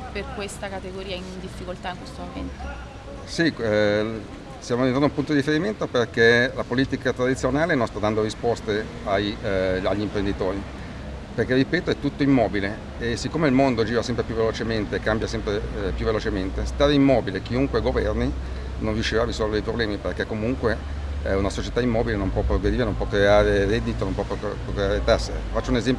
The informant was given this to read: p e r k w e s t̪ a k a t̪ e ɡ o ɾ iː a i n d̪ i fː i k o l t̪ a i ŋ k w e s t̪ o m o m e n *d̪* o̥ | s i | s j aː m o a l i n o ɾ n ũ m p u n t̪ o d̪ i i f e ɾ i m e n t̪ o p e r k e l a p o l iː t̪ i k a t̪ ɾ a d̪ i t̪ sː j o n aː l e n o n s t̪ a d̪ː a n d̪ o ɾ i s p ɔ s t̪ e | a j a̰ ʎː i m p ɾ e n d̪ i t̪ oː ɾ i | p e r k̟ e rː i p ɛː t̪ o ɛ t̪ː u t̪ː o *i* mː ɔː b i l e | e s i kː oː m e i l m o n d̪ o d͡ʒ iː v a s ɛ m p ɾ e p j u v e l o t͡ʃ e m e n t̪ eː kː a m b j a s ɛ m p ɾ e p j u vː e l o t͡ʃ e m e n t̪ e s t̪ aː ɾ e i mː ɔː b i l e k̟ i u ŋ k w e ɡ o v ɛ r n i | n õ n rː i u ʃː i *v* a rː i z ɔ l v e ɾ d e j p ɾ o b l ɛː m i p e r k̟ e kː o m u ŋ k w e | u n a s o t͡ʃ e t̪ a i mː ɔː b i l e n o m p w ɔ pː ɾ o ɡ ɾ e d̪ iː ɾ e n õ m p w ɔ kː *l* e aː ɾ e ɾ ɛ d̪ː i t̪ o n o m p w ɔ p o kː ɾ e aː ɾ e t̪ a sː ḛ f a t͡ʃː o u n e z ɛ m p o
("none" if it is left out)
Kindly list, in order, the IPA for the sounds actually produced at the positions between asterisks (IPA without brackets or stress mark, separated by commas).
t̪, i, v, ɾ